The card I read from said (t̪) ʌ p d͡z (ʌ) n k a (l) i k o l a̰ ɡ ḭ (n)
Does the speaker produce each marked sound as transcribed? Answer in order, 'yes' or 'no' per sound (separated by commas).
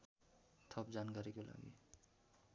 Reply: no, no, no, no